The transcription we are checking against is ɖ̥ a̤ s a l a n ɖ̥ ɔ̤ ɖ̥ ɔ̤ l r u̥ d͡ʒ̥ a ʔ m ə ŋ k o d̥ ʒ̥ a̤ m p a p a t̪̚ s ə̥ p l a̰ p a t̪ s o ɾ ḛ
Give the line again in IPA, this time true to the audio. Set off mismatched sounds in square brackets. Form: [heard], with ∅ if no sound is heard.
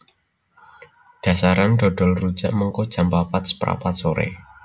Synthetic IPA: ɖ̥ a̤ s a [ɾ] a n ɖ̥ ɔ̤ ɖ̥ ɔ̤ l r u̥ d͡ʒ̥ a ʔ m ə ŋ k o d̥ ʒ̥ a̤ m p a p a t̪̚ s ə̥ p [ɾ] a̰ p a t̪ s o ɾ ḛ

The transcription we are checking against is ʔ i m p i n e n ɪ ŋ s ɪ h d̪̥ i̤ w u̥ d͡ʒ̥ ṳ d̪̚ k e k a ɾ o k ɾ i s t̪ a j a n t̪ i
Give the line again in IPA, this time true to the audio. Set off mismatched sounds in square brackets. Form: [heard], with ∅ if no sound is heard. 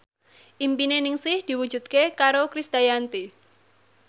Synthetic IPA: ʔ i m p i n e n ɪ ŋ s ɪ h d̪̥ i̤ w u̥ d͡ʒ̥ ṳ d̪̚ k e k a ɾ o k ɾ i s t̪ a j a n t̪ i

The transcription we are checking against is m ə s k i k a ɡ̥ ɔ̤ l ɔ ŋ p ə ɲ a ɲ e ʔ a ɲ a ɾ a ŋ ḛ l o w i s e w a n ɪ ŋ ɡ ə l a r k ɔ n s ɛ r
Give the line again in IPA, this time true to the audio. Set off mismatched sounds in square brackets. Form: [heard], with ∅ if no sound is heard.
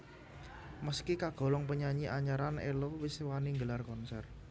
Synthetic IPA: m ə s k i k a ɡ̥ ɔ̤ l ɔ ŋ p ə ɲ a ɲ [i] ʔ a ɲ a ɾ a [n] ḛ l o w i s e w a n [i] ŋ ɡ ə l a r k ɔ n s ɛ r

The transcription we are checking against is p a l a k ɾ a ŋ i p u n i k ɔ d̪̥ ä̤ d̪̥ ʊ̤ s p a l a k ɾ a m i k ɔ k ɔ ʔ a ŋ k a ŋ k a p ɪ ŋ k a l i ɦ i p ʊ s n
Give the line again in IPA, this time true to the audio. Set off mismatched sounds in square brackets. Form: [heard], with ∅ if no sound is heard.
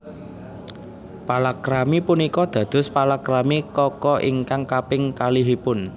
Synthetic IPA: p a l a k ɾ a [m] i p u n i k ɔ d̪̥ ä̤ d̪̥ ʊ̤ s p a l a k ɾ a m i k ɔ k ɔ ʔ [i] ŋ k a ŋ k a p ɪ ŋ k a l i ɦ i p ʊ [∅] n

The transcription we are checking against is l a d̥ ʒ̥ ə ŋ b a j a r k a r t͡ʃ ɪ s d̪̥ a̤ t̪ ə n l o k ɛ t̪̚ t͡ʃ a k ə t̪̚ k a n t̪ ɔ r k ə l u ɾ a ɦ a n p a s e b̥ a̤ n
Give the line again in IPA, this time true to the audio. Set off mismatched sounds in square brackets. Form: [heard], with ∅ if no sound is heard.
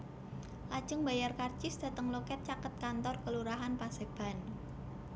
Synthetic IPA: l a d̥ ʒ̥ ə ŋ b a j a r k a r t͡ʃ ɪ s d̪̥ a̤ t̪ ə [ŋ] l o k ɛ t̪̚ t͡ʃ a k ə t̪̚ k a n t̪ ɔ r k ə l u ɾ a ɦ a n p a s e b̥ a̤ n

